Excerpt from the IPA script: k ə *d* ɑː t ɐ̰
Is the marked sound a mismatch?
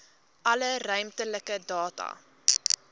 no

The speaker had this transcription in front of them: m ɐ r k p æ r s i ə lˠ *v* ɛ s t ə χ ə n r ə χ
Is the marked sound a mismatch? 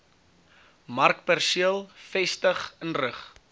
yes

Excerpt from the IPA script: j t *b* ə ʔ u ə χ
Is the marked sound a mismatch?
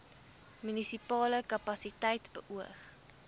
no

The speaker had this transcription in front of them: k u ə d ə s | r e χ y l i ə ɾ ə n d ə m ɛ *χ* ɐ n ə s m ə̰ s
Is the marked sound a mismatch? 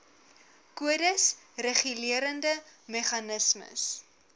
no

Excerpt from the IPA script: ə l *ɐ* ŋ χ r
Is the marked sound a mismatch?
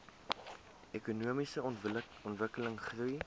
yes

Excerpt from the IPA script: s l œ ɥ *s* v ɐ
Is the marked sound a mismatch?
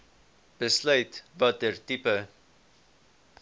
yes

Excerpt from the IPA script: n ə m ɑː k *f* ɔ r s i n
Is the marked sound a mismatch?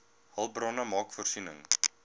no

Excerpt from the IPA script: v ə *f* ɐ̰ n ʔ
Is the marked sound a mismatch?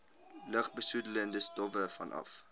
no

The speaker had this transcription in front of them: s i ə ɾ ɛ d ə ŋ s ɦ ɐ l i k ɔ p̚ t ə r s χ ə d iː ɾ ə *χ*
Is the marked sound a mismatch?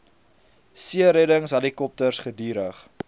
no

